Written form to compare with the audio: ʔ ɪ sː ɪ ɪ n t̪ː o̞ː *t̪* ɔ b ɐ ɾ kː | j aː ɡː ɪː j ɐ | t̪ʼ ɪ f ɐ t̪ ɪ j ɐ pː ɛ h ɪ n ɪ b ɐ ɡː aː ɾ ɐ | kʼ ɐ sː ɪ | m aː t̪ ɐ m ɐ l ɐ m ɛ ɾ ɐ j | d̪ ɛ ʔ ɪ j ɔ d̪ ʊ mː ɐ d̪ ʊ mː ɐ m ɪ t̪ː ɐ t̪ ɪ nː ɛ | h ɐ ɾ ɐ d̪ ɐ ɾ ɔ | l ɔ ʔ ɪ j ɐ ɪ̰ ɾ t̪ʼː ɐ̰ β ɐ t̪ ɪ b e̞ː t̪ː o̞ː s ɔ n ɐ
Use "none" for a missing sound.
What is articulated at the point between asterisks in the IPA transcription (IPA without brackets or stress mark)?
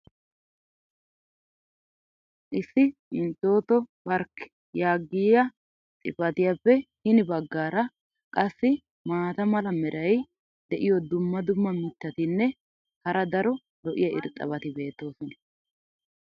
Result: t̪